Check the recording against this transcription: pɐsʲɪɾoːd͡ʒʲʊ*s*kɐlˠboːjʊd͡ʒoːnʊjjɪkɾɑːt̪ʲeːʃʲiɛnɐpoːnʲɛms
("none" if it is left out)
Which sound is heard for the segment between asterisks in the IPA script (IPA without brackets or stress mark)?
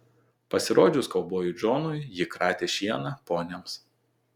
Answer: s